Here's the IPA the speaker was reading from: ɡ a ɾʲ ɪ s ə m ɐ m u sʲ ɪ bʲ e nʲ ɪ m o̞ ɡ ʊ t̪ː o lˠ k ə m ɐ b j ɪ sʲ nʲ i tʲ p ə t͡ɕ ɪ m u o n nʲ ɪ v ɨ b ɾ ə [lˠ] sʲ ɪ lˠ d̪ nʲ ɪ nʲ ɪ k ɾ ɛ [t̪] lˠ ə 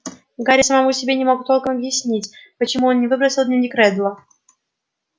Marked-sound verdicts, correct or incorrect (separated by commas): incorrect, incorrect